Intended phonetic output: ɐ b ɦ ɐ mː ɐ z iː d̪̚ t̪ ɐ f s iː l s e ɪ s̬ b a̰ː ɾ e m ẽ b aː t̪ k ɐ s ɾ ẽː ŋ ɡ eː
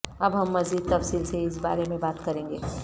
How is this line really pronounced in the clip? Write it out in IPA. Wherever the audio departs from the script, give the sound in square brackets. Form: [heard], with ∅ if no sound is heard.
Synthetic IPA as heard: ɐ b ɦ ɐ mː ɐ z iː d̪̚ t̪ ɐ f s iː l s e ɪ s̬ b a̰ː ɾ e m ẽ b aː t̪ k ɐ [∅] ɾ ẽː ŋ ɡ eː